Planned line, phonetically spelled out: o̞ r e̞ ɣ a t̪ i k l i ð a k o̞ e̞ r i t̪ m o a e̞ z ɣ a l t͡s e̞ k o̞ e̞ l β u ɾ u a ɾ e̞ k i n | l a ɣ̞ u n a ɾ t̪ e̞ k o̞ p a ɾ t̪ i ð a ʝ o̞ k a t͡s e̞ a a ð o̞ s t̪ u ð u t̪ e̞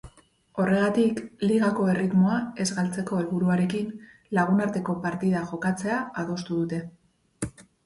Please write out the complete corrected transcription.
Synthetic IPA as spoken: o̞ r e̞ ɣ a t̪ i k l i ɣ a k o̞ e̞ r i t̪ m o a e̞ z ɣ a l t͡s e̞ k o̞ e̞ l β u ɾ u a ɾ e̞ k i n | l a ɣ̞ u n a ɾ t̪ e̞ k o̞ p a ɾ t̪ i ð a ʝ o̞ k a t͡s e̞ a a ð o̞ s t̪ u ð u t̪ e̞

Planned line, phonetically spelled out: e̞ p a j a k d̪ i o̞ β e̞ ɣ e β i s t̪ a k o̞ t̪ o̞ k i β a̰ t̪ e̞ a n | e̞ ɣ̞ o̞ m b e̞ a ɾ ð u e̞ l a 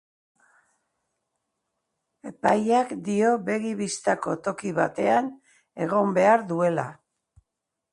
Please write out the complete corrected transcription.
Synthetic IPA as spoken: e̞ p a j a k d̪ i o̞ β e̞ ɣ i β i s t̪ a k o̞ t̪ o̞ k i β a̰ t̪ e̞ a n | e̞ ɣ̞ o̞ m b e̞ a ɾ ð u e̞ l a

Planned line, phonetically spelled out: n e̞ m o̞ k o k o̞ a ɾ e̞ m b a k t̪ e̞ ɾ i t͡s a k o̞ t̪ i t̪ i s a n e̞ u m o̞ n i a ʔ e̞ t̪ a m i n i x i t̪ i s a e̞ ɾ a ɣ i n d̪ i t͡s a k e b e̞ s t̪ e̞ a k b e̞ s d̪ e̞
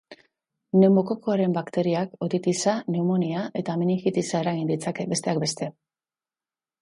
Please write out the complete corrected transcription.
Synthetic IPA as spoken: n e̞ m o̞ k o k o̞ a ɾ e̞ m b a k t̪ e̞ ɾ i a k o̞ t̪ i t̪ i s a n e̞ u m o̞ n i a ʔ e̞ t̪ a m i n i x i t̪ i s a e̞ ɾ a ɣ i n d̪ i t͡s a k e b e̞ s t̪ e̞ a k b e̞ s t̪ e̞

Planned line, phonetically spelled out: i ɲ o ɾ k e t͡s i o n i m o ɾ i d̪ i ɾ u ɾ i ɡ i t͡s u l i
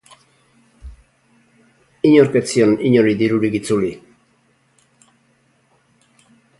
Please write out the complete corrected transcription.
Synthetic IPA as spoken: i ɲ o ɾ k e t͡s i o n i ɲ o ɾ i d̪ i ɾ u ɾ i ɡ i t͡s u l i

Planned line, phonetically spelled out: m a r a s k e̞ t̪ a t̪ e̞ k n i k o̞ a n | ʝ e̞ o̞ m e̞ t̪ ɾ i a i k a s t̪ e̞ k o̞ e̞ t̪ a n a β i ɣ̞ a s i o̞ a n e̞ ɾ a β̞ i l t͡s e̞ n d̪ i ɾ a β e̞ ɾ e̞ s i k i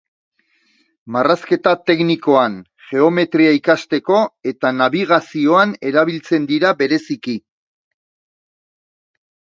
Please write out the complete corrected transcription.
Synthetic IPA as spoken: m a r a s k e̞ t̪ a t̪ e̞ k n i k o̞ a n | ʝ e̞ o̞ m e̞ t̪ ɾ i a i k a s t̪ e̞ k o̞ e̞ t̪ a n a β i ɣ̞ a s i o̞ a n e̞ ɾ a β̞ i l t͡s e̞ n d̪ i ɾ a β e̞ ɾ e̞ s i k i

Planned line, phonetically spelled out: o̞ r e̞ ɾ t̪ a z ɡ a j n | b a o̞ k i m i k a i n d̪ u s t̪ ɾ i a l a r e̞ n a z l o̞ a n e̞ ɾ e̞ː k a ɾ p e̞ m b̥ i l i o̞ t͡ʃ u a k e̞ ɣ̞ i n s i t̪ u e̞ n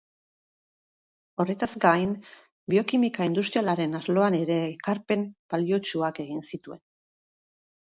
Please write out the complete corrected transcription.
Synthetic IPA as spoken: o̞ r e̞ t̪ a z ɡ a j n | b i o̞ k i m i k a i n d̪ u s t̪ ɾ i a l a ɾ e̞ n a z l o̞ a n e̞ ɾ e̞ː k a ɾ p e̞ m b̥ a l i o̞ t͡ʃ u a k e̞ ɣ̞ i n s i t̪ u e̞ n

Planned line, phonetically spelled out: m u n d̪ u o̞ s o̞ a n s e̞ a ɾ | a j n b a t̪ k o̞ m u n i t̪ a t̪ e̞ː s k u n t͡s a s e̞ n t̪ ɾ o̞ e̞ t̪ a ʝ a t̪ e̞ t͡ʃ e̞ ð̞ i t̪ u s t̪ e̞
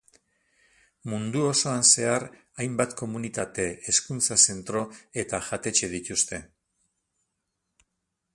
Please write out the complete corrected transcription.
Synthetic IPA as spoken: m u n d̪ u o̞ s o̞ a n s e̞ a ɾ | a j m b a t̪ k o̞ m u n i t̪ a t̪ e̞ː s k u n t͡s a s e̞ n t̪ ɾ o̞ e̞ t̪ a ʝ a t̪ e̞ t͡ʃ e̞ ð̞ i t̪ u s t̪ e̞

